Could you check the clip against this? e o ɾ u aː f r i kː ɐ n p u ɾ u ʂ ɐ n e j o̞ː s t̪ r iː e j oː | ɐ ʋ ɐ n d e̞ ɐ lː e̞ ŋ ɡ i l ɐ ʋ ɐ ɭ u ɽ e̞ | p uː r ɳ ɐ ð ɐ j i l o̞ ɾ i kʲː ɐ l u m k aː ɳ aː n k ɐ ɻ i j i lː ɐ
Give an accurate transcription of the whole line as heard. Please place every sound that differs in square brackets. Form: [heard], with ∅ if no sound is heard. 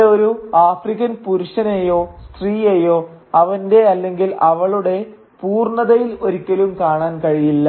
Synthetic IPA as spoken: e o ɾ u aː f r i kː ɐ n p u ɾ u ʂ ɐ n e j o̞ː s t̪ r iː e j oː | ɐ ʋ ɐ n d e̞ ɐ lː e̞ ŋ ɡ i l ɐ ʋ ɐ ɭ u ɽ e̞ | p uː r ɳ ɐ ð ɐ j i l o̞ ɾ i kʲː ɐ l u m k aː ɳ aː n k ɐ ɻ i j i lː ɐ